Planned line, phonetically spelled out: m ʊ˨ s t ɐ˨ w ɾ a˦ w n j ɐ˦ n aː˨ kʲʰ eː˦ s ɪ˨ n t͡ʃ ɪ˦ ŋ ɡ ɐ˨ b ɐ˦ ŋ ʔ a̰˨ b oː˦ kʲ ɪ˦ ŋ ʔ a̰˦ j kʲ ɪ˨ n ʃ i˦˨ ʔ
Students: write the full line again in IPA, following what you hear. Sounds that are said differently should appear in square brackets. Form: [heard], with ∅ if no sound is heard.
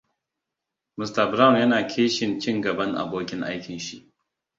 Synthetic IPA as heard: m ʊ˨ s t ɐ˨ [b] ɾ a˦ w n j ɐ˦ n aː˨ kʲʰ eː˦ [ʃ] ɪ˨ n t͡ʃ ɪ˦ ŋ ɡ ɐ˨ b ɐ˦ ŋ ʔ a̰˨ b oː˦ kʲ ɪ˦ ŋ ʔ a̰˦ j kʲ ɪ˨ n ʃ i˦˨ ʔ